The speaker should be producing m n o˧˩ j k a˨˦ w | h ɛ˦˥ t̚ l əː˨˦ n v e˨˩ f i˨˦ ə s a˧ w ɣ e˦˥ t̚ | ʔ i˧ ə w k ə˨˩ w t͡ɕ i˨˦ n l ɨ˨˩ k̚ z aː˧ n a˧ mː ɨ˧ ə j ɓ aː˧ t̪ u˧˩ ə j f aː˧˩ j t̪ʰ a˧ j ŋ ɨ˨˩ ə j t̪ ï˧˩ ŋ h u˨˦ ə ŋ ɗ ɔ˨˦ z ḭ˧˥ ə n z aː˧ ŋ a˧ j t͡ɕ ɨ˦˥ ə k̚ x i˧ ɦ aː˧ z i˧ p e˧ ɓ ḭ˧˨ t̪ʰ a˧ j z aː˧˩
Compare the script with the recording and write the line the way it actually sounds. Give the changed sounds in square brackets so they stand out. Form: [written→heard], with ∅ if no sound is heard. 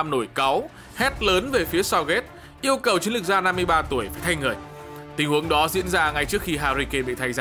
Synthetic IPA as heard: m n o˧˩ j k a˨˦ w | h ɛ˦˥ t̚ l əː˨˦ n v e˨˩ f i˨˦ ə s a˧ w ɣ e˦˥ t̚ | ʔ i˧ ə w k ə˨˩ w t͡ɕ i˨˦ n l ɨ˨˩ k̚ z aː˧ n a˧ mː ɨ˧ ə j ɓ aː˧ t̪ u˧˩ ə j f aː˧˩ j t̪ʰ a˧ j ŋ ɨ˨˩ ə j t̪ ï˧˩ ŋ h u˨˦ ə ŋ ɗ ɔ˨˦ z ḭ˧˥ ə n z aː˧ ŋ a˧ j t͡ɕ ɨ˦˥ ə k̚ x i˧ ɦ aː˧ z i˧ [p→k] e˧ ɓ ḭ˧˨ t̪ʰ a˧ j z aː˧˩